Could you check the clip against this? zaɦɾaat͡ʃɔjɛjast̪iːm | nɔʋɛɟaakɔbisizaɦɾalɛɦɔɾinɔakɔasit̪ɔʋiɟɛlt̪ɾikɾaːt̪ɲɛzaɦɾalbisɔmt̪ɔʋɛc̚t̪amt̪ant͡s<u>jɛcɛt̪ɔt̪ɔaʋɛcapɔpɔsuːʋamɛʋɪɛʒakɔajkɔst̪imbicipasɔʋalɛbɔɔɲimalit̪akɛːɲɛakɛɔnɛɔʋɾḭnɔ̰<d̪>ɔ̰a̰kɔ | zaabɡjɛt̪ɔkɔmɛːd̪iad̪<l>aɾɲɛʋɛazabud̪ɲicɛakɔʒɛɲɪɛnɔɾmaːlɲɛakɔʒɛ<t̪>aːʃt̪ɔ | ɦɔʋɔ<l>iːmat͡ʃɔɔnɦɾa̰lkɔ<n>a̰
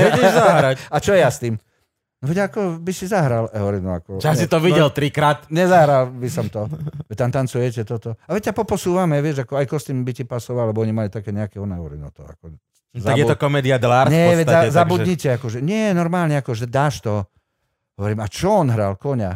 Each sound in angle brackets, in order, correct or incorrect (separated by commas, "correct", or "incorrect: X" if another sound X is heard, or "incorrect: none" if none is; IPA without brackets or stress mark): correct, incorrect: t̪, correct, incorrect: d̪, incorrect: ɾ, incorrect: ɲ